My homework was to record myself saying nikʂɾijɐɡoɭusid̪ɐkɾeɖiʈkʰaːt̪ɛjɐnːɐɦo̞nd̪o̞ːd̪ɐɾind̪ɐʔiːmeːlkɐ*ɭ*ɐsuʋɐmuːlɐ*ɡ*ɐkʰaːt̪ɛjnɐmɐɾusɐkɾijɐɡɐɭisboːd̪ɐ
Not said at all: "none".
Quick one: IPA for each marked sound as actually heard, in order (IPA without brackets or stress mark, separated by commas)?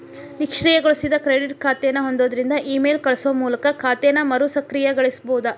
ɭ, k